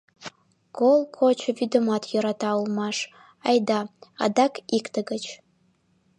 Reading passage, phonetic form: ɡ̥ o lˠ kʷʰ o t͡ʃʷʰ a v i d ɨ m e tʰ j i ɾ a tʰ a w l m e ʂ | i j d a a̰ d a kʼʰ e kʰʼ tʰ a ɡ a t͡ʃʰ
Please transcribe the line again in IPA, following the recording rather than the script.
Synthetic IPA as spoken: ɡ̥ o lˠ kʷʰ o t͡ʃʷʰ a v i d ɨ m a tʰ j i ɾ a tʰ a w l m a ʂ | a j d a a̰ d a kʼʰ i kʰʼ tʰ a ɡ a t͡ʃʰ